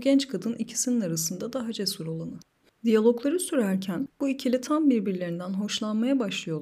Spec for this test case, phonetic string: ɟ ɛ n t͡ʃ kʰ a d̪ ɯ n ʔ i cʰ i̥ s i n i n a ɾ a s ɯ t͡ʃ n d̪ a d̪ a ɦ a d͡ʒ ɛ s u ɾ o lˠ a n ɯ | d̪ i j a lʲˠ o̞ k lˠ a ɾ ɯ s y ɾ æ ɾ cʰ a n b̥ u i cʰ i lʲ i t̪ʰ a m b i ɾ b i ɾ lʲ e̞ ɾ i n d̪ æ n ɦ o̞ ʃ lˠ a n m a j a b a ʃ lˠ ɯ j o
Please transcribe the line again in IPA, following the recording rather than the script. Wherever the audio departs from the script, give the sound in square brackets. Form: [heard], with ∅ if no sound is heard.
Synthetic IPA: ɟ ɛ n t͡ʃ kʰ a d̪ ɯ n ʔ i cʰ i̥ s i n i n a ɾ a s ɯ [∅] n d̪ a d̪ a ɦ a d͡ʒ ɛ s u ɾ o lˠ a n ɯ | d̪ i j a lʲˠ o̞ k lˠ a ɾ ɯ s y ɾ æ ɾ cʰ [æ] n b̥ u i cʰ i lʲ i t̪ʰ a m b i ɾ b i ɾ lʲ e̞ ɾ i n d̪ æ n ɦ o̞ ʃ lˠ a n m a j a b a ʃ lˠ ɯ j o